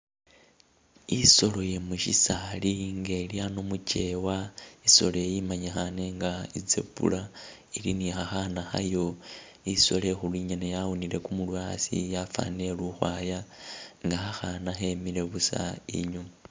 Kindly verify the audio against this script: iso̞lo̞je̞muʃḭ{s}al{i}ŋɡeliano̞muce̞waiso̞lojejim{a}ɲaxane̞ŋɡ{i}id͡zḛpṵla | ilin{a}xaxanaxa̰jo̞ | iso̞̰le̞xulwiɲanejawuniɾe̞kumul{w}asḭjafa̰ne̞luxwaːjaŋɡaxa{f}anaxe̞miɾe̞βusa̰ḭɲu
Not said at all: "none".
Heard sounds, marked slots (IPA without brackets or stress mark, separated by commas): s, i, a, a, i, w, x